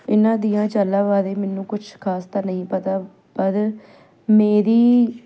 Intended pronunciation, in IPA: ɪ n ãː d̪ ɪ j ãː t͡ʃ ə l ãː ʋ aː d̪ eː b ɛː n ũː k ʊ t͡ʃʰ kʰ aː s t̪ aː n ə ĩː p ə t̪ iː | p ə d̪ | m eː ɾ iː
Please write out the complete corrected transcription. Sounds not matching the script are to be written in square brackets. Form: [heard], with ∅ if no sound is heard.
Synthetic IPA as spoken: ɪ n ãː d̪ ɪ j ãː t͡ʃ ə l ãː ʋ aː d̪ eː [m] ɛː n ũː k ʊ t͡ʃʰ kʰ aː s t̪ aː n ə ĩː p ə t̪ [aː] | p ə d̪ | m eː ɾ iː